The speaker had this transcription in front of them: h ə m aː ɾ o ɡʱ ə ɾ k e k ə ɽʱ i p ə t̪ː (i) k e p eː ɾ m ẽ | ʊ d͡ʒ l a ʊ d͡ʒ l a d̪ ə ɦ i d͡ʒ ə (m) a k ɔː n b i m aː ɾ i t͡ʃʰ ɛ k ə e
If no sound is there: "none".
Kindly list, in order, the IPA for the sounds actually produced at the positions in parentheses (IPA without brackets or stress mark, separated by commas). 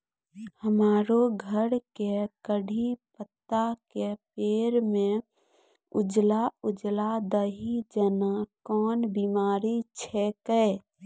a, n